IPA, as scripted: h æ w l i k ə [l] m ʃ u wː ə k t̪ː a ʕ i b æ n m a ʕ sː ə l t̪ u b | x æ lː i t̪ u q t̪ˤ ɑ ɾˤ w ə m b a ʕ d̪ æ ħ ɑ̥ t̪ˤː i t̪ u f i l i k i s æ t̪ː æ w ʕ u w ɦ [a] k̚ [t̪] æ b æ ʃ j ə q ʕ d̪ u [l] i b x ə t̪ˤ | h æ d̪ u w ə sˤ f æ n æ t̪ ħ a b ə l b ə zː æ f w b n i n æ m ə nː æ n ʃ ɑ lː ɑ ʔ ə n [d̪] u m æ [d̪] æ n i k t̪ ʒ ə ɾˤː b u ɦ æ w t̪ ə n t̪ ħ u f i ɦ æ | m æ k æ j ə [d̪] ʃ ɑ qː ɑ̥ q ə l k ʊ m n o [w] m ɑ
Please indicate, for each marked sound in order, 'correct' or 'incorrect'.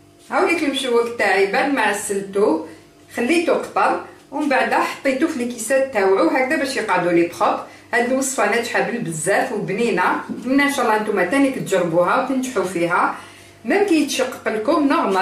correct, incorrect: æ, incorrect: d̪, correct, incorrect: t̪, incorrect: t̪, incorrect: t̪, incorrect: ɣ

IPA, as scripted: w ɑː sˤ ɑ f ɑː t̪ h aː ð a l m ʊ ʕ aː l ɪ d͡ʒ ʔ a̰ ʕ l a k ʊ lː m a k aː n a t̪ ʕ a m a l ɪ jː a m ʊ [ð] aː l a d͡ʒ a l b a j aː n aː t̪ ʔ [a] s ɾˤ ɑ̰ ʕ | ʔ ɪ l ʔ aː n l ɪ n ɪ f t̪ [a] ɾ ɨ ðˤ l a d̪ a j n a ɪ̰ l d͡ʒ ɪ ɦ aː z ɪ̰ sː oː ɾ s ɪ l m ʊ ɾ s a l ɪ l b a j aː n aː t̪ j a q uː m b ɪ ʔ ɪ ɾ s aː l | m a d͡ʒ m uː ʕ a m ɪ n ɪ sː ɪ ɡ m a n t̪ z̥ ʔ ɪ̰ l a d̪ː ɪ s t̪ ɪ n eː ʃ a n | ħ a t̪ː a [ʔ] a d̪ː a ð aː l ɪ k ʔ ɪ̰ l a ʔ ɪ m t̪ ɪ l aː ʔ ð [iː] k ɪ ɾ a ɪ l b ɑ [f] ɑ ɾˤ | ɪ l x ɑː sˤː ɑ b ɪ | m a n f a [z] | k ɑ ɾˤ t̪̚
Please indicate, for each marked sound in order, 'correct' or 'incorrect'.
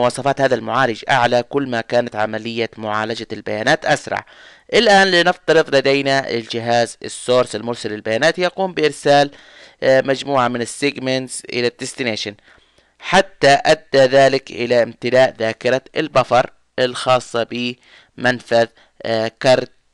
incorrect: ʕ, correct, incorrect: ɑ, correct, incorrect: aː, correct, incorrect: ð

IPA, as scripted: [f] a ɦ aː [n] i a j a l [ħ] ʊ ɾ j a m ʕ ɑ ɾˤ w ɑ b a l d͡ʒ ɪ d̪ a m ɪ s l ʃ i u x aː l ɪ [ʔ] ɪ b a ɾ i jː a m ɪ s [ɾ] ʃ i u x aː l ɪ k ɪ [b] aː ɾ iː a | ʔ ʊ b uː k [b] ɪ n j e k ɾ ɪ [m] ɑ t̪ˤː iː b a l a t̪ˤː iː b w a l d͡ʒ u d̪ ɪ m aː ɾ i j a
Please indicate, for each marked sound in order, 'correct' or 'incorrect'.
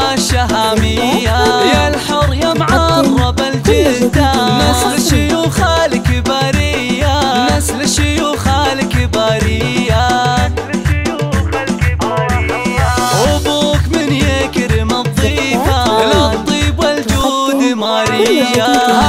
incorrect: ʃ, incorrect: m, correct, incorrect: k, incorrect: l, correct, incorrect: m, correct

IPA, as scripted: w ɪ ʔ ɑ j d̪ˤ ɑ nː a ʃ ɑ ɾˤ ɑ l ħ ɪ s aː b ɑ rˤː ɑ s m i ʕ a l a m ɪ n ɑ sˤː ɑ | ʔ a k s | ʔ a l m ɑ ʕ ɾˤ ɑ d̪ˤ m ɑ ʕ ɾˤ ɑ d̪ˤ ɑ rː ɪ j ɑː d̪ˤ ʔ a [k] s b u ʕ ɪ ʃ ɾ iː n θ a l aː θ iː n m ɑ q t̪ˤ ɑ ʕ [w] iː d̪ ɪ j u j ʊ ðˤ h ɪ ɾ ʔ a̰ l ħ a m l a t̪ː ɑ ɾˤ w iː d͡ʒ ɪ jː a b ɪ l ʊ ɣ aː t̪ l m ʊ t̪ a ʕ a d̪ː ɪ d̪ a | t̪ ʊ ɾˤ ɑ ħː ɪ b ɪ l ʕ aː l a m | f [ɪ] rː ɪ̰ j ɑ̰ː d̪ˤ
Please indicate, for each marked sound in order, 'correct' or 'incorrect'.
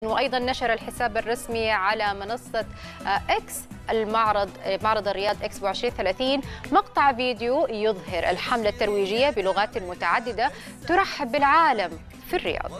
correct, incorrect: v, incorrect: i

